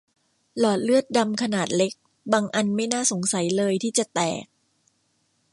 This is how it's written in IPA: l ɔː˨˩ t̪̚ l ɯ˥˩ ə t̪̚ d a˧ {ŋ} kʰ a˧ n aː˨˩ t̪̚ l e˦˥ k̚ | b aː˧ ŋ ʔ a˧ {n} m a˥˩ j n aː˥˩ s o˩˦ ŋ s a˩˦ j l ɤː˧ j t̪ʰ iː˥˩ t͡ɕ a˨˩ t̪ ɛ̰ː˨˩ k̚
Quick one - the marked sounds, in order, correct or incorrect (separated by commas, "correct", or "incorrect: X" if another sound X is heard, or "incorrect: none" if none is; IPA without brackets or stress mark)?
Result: incorrect: m, correct